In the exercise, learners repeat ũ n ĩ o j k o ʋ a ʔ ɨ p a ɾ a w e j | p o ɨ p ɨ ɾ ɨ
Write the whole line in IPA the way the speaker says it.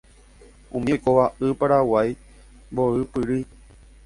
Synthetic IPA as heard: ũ m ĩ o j k o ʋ a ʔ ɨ p a ɾ a w a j | b o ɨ p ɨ ɾ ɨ